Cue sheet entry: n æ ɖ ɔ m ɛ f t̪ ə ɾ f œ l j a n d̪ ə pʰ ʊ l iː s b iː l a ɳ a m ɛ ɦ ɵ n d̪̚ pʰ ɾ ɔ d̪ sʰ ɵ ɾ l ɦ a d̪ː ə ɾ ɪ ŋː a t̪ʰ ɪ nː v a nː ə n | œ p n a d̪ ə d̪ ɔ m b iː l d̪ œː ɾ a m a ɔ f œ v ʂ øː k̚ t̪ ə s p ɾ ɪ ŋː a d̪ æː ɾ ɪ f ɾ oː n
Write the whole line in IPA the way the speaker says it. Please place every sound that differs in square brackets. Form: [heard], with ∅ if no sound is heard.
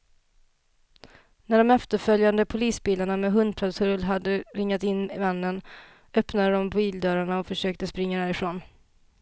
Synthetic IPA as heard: n æ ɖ ɔ m ɛ f t̪ ə ɾ f œ l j a n d̪ ə pʰ ʊ l iː s b iː l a ɳ a m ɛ ɦ ɵ n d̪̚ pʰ ɾ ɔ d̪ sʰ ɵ ɾ l ɦ a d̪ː ə ɾ ɪ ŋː a [t̪] ɪ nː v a nː ə n | œ p n a d̪ ə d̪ ɔ m b iː l d̪ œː ɾ a [ɳ] a ɔ f œ [∅] ʂ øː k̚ t̪ ə s p ɾ ɪ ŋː a d̪ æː ɾ ɪ f ɾ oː n